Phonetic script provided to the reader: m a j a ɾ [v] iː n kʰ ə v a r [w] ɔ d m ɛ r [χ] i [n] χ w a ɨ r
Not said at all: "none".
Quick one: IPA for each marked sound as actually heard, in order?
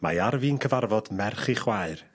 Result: v, v, χ, none

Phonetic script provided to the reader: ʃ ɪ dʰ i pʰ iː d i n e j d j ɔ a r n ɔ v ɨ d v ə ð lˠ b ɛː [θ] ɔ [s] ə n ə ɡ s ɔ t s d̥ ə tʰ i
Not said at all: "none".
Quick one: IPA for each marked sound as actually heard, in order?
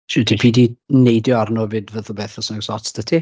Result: θ, s

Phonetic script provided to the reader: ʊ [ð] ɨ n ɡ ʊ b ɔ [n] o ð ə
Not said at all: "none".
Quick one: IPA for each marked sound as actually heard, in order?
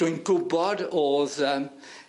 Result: none, d

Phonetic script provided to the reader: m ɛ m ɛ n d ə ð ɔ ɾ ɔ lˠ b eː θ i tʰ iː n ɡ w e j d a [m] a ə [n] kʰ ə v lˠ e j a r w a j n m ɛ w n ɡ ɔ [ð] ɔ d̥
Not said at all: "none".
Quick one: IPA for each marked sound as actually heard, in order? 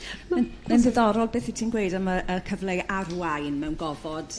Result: m, none, v

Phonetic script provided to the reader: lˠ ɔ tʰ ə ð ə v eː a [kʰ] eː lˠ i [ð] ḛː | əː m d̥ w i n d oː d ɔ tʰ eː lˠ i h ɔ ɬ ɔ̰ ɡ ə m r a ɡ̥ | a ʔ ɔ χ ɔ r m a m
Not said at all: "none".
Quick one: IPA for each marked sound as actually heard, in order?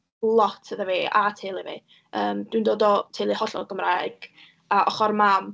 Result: tʰ, v

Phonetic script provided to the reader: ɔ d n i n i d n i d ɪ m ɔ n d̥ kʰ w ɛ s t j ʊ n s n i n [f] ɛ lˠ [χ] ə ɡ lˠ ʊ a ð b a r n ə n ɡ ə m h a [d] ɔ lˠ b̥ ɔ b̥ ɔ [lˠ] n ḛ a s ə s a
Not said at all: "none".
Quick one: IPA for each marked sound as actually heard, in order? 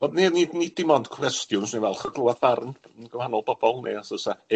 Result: v, χ, n, lˠ

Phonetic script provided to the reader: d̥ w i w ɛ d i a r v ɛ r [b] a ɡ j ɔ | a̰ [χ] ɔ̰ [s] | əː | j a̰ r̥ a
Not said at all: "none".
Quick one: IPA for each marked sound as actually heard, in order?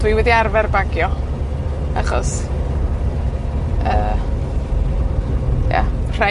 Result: b, χ, s

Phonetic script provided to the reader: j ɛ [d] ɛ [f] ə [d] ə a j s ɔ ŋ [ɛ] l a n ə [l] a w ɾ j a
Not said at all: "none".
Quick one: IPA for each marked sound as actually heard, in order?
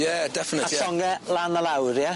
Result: d, f, n, ɛ, l

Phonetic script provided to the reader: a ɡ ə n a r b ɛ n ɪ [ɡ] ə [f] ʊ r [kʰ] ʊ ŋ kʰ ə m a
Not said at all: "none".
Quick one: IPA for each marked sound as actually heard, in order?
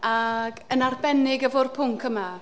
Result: ɡ, v, pʰ

